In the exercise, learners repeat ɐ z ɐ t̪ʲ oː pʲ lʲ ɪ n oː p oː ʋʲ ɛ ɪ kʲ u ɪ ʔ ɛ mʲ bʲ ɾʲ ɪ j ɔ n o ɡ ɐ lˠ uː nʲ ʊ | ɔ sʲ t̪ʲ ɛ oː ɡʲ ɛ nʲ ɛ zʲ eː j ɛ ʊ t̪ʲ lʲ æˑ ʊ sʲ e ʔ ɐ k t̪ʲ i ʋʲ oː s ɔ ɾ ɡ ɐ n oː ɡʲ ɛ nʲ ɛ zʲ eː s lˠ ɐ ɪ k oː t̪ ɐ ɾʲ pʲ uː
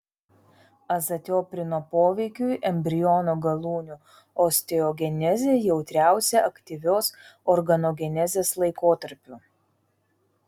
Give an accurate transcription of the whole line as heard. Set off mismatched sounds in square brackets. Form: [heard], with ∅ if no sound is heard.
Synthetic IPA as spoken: ɐ z ɐ t̪ʲ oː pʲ [ɾʲ] ɪ n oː p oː ʋʲ ɛ ɪ kʲ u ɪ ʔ ɛ mʲ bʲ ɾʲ ɪ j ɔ n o ɡ ɐ lˠ uː nʲ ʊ | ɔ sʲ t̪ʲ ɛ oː ɡʲ ɛ nʲ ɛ zʲ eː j ɛ ʊ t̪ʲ [ɾʲ] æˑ ʊ sʲ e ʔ ɐ k t̪ʲ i ʋʲ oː s ɔ ɾ ɡ ɐ n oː ɡʲ ɛ nʲ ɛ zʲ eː s lˠ ɐ ɪ k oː t̪ ɐ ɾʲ pʲ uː